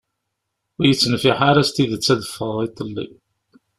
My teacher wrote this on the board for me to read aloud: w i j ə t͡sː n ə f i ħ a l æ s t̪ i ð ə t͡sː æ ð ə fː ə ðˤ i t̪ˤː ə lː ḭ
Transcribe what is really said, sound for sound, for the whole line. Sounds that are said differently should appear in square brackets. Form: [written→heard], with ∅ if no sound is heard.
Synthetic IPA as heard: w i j ə t͡sː n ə f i ħ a [l→ɾ] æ s t̪ i ð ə t͡sː æ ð ə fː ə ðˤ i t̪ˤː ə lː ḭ